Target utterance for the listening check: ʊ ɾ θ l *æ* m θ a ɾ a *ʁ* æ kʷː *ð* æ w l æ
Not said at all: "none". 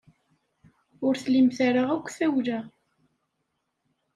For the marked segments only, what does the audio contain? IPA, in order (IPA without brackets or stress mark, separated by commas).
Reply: i, ʁ, θ